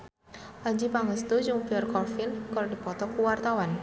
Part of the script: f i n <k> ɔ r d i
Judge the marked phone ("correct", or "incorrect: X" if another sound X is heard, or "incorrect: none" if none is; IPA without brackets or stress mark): correct